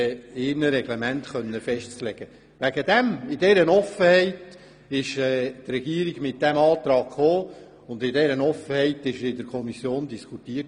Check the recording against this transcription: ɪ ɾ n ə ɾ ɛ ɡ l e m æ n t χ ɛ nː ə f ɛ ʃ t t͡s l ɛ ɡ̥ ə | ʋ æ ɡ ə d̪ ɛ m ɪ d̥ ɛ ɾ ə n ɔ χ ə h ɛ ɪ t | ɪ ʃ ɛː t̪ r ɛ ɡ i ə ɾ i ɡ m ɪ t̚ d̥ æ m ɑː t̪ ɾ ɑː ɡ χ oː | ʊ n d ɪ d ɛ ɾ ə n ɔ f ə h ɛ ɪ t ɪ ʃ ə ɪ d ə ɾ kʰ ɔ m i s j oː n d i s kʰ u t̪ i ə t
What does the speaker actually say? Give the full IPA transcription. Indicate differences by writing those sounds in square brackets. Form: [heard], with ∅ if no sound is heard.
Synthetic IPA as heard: ɪ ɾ n ə ɾ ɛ ɡ l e m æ n t χ [œ] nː ə f ɛ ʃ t t͡s l ɛ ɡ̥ ə | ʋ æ ɡ ə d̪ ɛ m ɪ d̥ ɛ ɾ ə n ɔ [f] ə h ɛ ɪ t | ɪ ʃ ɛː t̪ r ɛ ɡ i ə ɾ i ɡ m ɪ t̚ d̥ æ m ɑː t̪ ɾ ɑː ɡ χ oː | ʊ n d ɪ d ɛ ɾ ə n ɔ f ə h ɛ ɪ t ɪ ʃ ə ɪ d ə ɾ kʰ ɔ m i s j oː n d i s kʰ u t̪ i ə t

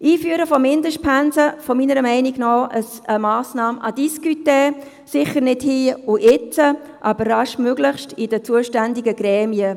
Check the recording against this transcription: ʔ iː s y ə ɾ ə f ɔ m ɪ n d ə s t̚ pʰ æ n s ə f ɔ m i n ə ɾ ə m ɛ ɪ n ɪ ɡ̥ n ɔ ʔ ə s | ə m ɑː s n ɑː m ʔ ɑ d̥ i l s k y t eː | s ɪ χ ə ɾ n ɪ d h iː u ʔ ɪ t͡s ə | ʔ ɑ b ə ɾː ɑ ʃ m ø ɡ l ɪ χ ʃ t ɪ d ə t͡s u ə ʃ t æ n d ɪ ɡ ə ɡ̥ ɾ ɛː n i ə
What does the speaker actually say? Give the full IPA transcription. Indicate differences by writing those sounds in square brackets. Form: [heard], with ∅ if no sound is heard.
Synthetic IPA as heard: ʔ iː [f] y ə ɾ ə f ɔ m ɪ n d ə [ʃ] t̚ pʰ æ n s ə f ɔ m i n ə ɾ ə m ɛ ɪ n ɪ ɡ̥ n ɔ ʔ ə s | ə m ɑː s n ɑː m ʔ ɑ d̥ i [∅] s k y t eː | s ɪ χ ə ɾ n ɪ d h iː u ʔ ɪ t͡s ə | ʔ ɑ b ə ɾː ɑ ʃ m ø ɡ l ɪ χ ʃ t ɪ d ə t͡s u ə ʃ t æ n d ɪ ɡ ə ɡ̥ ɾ ɛː [m] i ə

